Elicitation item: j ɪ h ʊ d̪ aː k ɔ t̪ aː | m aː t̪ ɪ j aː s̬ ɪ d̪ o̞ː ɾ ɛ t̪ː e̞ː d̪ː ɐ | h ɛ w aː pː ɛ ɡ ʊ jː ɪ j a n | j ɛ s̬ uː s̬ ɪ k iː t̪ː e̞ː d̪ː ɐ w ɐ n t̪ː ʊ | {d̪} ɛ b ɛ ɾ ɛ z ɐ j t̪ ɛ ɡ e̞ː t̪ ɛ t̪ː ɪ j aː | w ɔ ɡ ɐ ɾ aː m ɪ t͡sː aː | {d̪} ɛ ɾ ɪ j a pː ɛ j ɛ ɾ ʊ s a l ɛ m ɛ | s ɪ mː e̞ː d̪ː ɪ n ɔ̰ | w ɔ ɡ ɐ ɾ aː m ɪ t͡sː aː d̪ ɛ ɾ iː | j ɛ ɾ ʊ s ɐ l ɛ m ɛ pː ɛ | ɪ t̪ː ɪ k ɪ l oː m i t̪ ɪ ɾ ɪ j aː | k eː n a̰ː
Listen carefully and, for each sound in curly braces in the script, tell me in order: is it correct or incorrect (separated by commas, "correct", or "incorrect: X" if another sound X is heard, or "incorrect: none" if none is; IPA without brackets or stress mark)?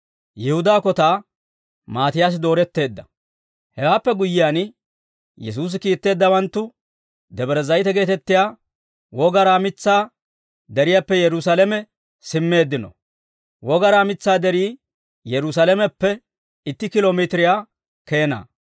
correct, correct